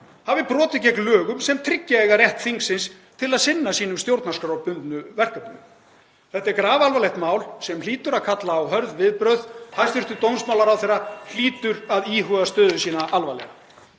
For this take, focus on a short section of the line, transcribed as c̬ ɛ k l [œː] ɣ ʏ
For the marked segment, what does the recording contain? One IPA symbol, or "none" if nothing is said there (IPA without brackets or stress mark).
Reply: œː